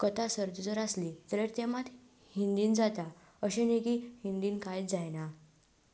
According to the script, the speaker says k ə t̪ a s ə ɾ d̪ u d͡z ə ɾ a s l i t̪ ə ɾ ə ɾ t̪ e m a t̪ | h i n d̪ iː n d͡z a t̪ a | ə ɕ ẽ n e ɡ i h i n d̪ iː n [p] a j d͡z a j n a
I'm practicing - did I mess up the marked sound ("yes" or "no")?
yes